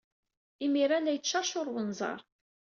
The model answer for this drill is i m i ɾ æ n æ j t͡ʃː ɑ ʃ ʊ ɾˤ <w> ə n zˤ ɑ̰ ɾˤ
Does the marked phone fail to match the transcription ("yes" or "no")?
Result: no